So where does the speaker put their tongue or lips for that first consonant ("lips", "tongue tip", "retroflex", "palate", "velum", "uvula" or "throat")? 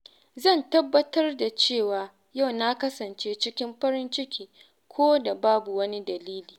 tongue tip